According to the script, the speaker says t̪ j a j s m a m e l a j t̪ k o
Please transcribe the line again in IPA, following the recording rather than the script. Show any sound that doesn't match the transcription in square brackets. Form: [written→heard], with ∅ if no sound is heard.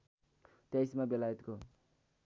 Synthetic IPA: t̪ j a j s m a [m→b] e l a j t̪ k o